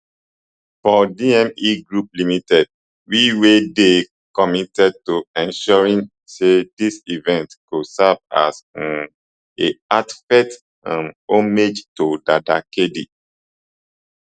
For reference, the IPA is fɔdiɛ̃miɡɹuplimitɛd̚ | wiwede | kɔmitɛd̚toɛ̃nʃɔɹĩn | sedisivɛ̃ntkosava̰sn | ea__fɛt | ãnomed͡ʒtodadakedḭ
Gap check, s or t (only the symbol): t